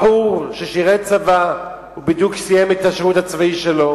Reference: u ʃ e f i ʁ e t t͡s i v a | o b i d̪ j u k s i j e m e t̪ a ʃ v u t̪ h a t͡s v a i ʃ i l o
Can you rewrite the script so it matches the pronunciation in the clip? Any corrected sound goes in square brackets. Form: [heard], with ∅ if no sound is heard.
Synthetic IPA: u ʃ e [ʃ] i ʁ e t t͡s [a] v a | [u] b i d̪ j u k s i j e m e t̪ a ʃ [ʁ] u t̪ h a t͡s v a i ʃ [e] l o